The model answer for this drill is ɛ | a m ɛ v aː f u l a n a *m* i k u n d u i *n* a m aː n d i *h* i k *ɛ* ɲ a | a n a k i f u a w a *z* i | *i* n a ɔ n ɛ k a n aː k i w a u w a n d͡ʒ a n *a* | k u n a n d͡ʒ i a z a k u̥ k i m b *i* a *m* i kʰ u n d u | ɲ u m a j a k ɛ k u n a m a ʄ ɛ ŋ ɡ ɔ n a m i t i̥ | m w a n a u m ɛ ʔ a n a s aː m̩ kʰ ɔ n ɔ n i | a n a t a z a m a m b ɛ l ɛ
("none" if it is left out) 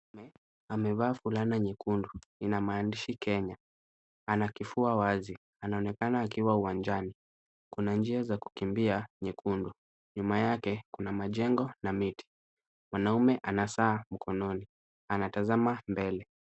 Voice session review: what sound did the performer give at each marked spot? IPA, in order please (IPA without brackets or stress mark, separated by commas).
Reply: ɲ, n, ʃ, ɛ, z, a, i, i, ɲ